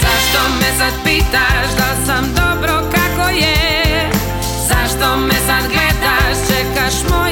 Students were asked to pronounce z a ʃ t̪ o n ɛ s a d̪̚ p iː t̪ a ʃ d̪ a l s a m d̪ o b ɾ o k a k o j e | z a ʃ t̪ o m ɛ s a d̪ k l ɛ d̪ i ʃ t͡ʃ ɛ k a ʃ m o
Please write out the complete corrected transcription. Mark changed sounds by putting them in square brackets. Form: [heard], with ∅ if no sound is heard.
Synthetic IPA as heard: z a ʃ t̪ o [m] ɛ s a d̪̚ p iː t̪ a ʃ d̪ a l s a m d̪ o b ɾ o k a k o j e | z a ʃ t̪ o m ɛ s a d̪ [ɡ] l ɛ d̪ [a] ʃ t͡ʃ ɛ k a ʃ m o